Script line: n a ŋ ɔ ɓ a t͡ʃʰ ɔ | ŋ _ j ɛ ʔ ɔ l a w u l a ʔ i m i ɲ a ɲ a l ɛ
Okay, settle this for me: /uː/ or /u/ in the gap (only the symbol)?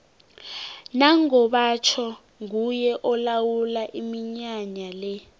u